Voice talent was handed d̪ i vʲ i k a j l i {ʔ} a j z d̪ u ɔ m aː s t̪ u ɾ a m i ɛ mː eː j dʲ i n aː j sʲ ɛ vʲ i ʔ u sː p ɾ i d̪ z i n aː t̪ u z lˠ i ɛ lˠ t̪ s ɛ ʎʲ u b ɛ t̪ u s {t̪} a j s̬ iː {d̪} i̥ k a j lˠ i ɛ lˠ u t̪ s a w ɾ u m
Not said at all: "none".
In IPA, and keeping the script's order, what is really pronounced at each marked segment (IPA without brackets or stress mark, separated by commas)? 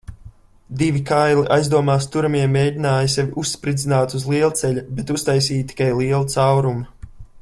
ʔ, t̪, t̪